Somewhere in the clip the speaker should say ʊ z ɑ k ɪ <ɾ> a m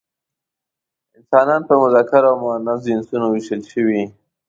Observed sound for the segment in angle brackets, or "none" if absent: ɾ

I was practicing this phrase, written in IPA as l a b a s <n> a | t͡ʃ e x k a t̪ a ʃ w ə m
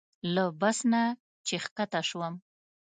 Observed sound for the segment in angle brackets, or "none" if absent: n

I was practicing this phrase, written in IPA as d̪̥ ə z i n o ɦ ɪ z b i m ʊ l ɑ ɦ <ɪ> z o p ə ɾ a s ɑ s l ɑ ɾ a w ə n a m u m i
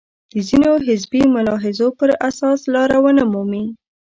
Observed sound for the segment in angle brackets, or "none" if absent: ɪ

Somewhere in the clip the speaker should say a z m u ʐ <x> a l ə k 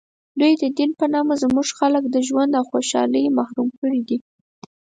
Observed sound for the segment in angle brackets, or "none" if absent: x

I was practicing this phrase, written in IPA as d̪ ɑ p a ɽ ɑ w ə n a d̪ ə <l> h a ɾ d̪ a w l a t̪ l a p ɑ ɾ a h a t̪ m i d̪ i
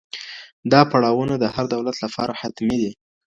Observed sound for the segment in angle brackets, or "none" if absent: none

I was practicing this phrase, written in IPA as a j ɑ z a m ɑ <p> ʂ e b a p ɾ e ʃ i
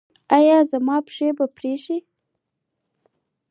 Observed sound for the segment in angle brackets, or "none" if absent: p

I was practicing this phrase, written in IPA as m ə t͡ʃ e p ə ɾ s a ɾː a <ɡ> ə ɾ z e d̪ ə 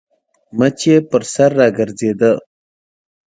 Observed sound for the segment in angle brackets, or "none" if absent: ɡ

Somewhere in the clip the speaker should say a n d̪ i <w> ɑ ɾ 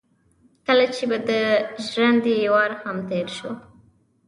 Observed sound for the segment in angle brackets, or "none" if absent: w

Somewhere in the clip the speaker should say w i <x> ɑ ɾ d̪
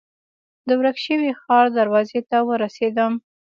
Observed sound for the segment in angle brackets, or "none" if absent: x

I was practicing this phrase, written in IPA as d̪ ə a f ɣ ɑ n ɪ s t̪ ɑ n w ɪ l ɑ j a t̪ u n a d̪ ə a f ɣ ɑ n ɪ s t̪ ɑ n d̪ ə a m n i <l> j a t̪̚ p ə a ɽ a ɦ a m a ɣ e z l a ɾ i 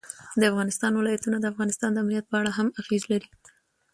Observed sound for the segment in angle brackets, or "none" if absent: none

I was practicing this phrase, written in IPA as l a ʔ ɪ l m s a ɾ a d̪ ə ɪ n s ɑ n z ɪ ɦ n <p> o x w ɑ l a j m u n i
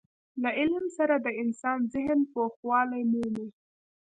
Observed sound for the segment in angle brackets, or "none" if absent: p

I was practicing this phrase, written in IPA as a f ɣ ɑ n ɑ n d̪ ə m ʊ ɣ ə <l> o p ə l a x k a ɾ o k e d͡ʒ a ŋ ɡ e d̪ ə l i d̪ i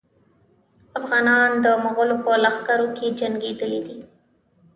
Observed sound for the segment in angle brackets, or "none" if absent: l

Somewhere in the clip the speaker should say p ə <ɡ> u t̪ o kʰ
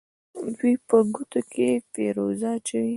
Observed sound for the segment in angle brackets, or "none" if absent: ɡ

